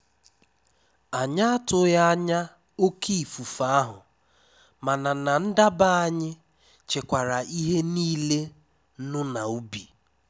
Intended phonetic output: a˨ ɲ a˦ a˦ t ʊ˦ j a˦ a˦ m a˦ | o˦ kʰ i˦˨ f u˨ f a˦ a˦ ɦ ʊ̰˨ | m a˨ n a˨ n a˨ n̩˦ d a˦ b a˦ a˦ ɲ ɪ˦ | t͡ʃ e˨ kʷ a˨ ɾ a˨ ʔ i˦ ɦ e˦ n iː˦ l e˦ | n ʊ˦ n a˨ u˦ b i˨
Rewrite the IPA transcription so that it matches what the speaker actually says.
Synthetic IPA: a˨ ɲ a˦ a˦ t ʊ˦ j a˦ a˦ ɲ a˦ | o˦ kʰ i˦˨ f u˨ f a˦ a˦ ɦ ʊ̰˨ | m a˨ n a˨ n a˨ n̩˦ d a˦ b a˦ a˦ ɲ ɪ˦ | t͡ʃ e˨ kʷ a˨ ɾ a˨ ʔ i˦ ɦ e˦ n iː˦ l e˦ | n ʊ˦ n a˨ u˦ b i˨